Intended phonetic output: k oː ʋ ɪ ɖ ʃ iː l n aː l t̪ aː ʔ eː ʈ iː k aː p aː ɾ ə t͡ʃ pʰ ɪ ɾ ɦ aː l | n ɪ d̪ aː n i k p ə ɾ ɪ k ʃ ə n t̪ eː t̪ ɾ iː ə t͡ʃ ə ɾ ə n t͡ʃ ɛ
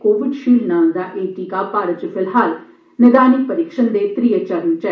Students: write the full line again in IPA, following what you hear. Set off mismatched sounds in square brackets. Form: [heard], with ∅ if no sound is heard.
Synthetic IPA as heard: k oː ʋ ɪ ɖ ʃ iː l n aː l [d̪] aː ʔ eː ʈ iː k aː p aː ɾ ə t͡ʃ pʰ ɪ [l] ɦ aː l | n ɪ d̪ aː n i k p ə ɾ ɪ k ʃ ə n [d̪] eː t̪ ɾ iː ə t͡ʃ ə ɾ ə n t͡ʃ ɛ